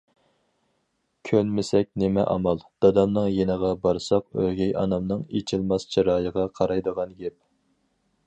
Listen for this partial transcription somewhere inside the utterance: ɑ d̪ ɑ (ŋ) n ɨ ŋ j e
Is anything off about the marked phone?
yes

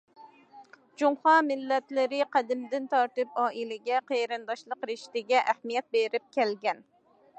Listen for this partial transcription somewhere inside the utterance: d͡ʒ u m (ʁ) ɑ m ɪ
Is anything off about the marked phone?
yes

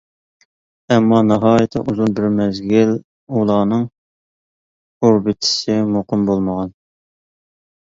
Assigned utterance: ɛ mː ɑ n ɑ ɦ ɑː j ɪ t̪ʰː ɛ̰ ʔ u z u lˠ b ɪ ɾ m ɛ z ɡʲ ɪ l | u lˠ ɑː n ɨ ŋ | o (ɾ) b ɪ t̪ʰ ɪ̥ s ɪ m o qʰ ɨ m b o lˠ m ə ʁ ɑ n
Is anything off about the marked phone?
no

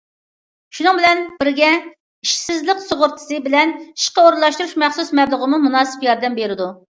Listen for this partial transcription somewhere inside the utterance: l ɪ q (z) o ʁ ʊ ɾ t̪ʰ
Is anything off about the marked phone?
yes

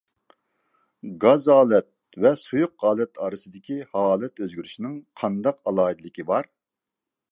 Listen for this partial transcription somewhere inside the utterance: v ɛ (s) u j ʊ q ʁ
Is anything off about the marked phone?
no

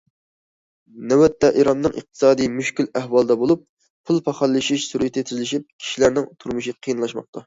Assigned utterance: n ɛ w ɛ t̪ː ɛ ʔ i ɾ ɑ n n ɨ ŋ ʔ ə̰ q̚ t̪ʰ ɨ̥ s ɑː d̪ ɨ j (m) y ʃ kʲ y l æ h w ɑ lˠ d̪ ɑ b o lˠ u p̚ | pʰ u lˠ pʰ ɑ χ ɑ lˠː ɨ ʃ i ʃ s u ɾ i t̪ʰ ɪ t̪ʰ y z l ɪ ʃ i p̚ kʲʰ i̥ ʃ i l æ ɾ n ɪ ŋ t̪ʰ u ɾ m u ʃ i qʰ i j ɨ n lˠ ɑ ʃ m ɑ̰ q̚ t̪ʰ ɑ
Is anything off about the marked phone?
no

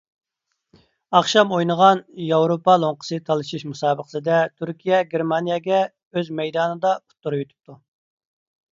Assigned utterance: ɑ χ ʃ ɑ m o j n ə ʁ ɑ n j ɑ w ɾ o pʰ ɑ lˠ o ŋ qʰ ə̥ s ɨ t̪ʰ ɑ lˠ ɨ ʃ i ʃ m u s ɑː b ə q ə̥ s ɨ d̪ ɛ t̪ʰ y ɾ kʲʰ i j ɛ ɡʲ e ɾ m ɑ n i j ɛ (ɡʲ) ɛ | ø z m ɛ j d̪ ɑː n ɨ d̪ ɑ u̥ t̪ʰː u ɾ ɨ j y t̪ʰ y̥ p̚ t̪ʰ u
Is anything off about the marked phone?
no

